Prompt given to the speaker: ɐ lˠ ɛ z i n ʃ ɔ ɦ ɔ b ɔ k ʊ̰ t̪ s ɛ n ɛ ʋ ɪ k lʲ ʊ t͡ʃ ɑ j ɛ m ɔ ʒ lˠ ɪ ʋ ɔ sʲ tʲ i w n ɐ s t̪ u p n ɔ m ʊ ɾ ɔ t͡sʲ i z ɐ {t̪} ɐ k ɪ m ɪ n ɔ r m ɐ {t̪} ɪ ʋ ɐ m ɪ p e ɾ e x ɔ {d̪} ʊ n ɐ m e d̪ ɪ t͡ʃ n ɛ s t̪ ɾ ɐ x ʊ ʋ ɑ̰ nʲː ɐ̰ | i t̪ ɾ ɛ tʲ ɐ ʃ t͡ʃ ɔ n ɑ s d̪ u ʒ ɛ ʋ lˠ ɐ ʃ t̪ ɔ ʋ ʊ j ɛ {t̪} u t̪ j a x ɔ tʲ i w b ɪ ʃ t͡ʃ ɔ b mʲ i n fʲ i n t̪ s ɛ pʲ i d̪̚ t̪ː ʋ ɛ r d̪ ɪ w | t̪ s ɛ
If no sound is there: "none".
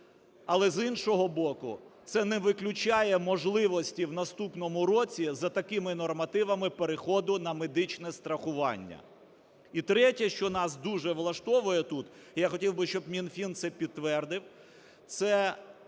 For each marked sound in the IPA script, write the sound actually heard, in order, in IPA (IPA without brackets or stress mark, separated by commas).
t̪, t̪, d̪, t̪